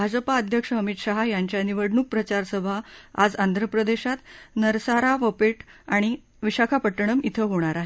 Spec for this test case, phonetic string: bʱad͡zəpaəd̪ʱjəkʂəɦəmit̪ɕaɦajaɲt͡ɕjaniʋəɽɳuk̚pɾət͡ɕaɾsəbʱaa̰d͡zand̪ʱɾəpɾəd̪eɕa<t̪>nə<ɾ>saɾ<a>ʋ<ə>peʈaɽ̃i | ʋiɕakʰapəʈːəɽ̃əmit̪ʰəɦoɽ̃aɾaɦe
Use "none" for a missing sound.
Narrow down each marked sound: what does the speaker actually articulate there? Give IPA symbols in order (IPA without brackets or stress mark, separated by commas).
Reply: t̪, ɾ, a, ə